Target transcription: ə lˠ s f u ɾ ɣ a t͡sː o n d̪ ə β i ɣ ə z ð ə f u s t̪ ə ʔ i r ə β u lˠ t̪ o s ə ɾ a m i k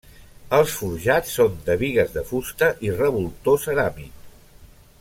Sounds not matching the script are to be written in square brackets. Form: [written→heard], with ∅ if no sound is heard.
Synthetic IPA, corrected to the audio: ə lˠ s f u ɾ [ɣ→ʒ] a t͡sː o n d̪ ə β i ɣ ə z ð ə f u s t̪ ə ʔ i r ə β u lˠ t̪ o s ə ɾ a m i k